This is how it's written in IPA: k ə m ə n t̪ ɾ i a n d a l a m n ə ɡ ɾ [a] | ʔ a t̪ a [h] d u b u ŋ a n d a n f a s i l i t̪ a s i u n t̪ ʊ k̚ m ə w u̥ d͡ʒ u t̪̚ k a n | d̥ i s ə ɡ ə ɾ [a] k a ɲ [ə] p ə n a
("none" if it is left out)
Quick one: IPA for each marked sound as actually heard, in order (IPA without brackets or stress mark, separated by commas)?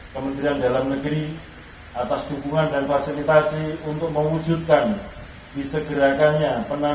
i, s, a, a